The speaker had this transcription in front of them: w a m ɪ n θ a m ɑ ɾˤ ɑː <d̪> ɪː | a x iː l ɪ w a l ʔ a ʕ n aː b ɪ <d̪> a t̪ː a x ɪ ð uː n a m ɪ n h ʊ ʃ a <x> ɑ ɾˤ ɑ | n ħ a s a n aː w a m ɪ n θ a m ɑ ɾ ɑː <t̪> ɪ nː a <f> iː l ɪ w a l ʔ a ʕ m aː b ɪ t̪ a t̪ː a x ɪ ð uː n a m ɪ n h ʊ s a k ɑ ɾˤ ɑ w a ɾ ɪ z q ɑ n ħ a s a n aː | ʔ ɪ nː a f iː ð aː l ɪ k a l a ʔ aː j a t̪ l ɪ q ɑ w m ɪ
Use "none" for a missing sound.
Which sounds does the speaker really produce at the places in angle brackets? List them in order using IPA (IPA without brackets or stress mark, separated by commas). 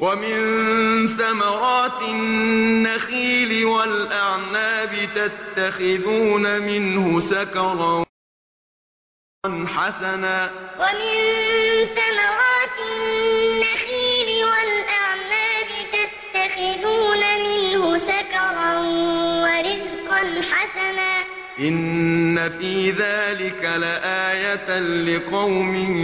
t̪, t̪, k, t̪, x